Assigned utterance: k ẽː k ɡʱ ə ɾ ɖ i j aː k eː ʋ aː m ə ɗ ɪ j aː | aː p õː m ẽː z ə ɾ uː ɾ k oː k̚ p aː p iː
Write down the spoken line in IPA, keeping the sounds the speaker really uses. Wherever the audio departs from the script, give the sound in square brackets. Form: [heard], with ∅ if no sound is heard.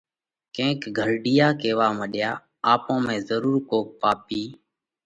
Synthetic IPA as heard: k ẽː k ɡʱ ə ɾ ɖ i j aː k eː ʋ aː m ə ɗ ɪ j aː | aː p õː m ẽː z ə ɾ uː ɾ k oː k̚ p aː p iː